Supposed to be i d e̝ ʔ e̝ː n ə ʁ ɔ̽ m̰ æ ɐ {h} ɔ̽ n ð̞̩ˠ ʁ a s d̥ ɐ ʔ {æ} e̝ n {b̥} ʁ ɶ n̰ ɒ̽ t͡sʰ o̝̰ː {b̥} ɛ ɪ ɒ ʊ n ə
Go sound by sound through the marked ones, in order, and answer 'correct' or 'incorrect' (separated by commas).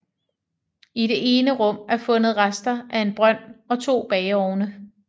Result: incorrect, correct, correct, correct